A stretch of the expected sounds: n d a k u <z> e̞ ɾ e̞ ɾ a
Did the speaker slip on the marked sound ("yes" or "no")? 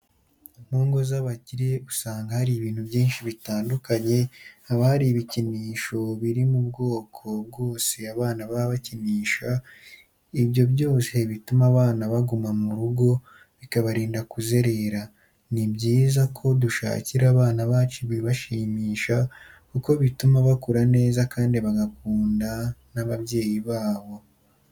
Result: no